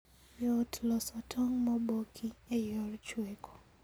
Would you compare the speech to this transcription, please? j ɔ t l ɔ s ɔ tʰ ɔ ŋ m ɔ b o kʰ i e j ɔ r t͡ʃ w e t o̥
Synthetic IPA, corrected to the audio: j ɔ t l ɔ s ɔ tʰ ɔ ŋ m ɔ b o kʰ i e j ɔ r t͡ʃ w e k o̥